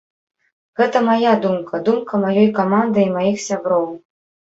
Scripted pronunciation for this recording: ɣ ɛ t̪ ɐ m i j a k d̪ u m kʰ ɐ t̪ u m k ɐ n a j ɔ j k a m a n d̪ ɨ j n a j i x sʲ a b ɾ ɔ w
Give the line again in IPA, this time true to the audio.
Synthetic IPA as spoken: ɣ ɛ t̪ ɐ m a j a d̪ u m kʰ ɐ d̪ u m k ɐ m a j ɔ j k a m a n d̪ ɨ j m a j i x sʲ a b ɾ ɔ w